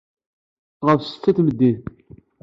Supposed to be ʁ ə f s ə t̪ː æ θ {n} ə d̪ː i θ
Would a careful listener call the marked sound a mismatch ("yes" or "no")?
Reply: yes